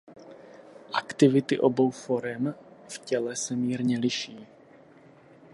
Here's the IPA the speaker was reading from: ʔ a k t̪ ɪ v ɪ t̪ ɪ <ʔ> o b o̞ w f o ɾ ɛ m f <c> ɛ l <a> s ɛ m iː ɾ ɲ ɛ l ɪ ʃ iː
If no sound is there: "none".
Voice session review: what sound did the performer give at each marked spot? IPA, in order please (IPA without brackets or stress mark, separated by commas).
ʔ, c, ɛ